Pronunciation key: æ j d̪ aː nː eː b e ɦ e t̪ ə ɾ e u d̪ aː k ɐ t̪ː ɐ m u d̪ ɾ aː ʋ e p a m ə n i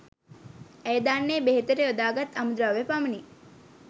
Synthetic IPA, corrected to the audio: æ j d̪ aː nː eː b e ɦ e t̪ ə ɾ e o d̪ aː ɡ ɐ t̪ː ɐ m u d̪ ɾ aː ʋ e p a m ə n i